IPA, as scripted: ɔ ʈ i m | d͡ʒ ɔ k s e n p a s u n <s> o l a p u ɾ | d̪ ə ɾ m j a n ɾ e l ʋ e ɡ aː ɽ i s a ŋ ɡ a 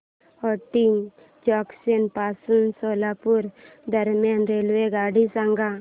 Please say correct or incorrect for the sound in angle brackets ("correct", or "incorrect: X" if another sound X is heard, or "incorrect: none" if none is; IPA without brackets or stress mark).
correct